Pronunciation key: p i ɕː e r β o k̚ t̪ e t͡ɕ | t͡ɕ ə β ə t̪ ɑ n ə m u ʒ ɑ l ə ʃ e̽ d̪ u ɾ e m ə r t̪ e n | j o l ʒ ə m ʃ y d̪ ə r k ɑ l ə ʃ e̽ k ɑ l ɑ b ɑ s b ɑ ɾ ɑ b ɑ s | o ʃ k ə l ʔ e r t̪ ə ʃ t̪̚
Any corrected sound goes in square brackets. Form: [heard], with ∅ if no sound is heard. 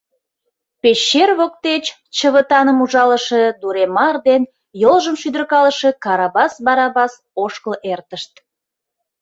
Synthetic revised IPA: p [e] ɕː e r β o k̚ t̪ e t͡ɕ | t͡ɕ ə β ə t̪ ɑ n ə m u ʒ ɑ l ə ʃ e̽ d̪ u ɾ e m [ɑ] r [d̪] e n | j o l ʒ ə m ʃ y d̪ ə r k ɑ l ə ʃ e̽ k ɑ [ɾ] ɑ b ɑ s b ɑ ɾ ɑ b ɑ s | o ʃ k ə l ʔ e r t̪ ə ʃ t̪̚